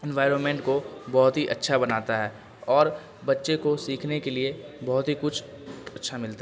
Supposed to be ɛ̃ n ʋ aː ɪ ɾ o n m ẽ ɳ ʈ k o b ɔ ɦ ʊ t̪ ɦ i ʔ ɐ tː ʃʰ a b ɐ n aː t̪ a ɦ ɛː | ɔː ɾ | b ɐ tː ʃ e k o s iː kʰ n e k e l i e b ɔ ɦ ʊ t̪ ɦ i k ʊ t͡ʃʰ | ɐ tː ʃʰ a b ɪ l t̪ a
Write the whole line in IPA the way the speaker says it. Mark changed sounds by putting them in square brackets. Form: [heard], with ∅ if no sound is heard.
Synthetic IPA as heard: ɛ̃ n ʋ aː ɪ ɾ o n m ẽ ɳ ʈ k o b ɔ ɦ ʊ t̪ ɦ i ʔ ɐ tː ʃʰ a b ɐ n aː t̪ a ɦ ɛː | ɔː ɾ | b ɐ tː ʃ e k o s iː kʰ n e k e l i e b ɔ ɦ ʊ t̪ ɦ i k ʊ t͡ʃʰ | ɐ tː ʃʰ a [m] ɪ l t̪ a